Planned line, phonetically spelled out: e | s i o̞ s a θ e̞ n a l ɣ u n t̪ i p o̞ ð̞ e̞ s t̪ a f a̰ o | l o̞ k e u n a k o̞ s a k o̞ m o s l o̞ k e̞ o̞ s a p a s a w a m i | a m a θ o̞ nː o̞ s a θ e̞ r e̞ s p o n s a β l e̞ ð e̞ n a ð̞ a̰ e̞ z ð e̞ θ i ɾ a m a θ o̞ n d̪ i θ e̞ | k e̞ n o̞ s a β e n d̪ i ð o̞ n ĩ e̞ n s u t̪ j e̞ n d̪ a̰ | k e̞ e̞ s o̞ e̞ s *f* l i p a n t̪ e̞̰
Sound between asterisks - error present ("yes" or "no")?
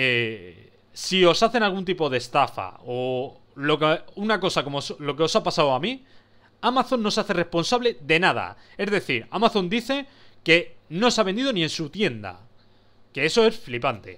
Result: no